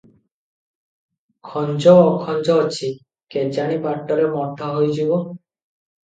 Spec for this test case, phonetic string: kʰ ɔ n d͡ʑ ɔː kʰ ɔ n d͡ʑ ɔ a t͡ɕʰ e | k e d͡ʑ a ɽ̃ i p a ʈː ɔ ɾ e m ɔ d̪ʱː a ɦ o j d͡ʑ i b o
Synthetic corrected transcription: kʰ ɔ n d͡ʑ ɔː kʰ ɔ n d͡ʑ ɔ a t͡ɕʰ i | k e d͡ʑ a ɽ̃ i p a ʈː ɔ ɾ e m ɔ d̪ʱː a ɦ o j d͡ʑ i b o